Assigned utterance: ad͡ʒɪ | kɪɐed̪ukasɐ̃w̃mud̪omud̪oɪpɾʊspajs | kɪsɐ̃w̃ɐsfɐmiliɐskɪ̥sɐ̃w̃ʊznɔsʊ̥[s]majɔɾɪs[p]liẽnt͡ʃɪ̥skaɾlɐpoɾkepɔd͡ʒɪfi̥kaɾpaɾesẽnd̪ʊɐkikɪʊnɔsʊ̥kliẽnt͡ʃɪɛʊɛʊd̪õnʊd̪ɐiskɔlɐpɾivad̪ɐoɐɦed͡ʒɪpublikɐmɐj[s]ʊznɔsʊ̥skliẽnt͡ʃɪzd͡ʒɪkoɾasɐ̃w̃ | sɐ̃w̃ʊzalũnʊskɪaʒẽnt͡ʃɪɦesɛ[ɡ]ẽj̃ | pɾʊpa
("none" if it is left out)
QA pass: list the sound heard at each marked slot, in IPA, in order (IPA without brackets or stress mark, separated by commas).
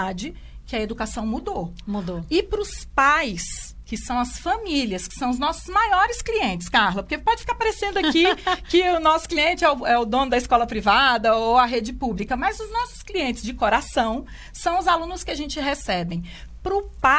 z, k, z, b